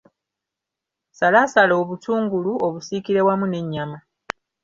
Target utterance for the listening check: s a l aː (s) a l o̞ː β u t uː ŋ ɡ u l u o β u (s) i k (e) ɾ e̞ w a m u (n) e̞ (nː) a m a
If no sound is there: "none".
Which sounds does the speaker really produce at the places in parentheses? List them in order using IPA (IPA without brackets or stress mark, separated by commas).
s, s, i, n, ɲː